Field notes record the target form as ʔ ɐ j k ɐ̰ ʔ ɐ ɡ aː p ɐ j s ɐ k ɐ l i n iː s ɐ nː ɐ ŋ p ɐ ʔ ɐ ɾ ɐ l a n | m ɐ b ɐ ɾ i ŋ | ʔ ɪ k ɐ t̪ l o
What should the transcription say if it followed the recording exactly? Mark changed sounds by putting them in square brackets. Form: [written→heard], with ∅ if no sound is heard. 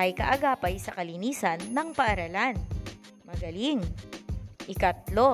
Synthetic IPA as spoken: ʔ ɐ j k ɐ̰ ʔ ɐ ɡ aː p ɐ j s ɐ k ɐ l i n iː s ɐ nː ɐ ŋ p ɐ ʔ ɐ ɾ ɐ l a n | m ɐ [b→ɡ] ɐ [ɾ→l] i ŋ | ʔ ɪ k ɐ t̪ l o